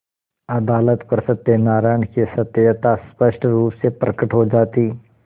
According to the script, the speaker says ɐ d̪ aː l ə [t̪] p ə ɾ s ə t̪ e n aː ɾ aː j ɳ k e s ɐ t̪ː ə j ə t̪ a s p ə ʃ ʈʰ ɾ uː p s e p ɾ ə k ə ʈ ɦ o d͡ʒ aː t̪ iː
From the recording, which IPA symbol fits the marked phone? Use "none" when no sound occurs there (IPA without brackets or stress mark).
t̪